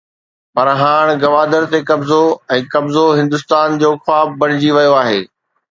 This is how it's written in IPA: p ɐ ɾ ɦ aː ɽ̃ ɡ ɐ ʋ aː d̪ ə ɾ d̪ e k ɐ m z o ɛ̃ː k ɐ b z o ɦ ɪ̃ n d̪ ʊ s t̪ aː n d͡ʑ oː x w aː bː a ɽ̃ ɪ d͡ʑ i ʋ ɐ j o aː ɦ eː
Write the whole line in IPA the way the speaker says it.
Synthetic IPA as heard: p ɐ ɾ ɦ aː ɽ̃ ɡ ɐ ʋ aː d̪ ə ɾ t̪ e k ɐ b z o ɛ̃ː k ɐ b z o ɦ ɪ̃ n d̪ ʊ s t̪ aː n d͡ʑ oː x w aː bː ɐ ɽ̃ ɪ d͡ʑ i ʋ ɐ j o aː ɦ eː